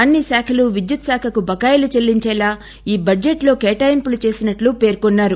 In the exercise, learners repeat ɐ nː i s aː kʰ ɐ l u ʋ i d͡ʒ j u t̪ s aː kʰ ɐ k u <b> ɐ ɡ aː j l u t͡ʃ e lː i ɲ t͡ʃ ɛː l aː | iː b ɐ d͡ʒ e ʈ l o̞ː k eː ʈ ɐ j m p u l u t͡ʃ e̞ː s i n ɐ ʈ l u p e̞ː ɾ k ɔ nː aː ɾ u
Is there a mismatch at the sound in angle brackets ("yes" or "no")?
no